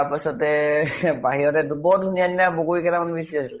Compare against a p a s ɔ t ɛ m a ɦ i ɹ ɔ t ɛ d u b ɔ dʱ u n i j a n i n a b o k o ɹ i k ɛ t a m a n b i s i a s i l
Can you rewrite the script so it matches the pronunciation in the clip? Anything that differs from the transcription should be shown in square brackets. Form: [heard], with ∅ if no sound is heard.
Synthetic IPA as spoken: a p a s ɔ t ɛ [b] a ɦ i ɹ ɔ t ɛ d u b ɔ dʱ u n i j a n i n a b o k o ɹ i k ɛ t a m a n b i s i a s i l